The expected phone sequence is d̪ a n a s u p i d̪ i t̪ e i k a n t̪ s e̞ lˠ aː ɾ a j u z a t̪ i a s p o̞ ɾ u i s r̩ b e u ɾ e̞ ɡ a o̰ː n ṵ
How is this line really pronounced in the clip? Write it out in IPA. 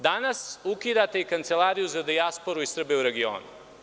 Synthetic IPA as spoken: d̪ a n a s u k i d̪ a t̪ e i k a n t̪ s e̞ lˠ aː ɾ i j u z a d̪ i a s p o̞ ɾ u i s r̩ b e u ɾ e̞ ɡ i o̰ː n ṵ